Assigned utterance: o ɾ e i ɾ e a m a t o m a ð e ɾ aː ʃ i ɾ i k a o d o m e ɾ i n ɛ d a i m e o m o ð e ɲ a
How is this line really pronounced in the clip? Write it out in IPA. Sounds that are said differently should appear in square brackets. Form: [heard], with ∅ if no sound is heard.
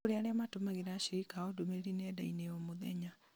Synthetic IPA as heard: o ɾ e [a] ɾ e a m a t o m a [ɣ] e ɾ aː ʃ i ɾ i k a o d o m e ɾ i n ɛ d a i [n] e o m o ð [ɛ] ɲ a